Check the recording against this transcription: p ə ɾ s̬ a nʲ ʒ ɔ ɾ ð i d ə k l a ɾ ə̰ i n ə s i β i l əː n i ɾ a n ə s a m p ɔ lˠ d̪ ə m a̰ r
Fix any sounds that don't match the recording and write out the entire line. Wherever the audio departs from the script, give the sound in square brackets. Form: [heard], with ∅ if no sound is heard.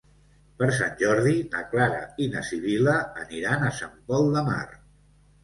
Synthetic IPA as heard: p ə ɾ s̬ a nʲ ʒ ɔ ɾ ð i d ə k l a ɾ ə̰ i n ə s i β i l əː n i ɾ a n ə s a m p ɔ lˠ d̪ ə m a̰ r